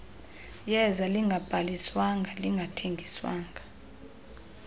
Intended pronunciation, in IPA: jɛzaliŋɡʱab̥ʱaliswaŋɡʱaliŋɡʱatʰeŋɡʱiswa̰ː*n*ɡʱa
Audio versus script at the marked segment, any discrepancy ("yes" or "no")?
yes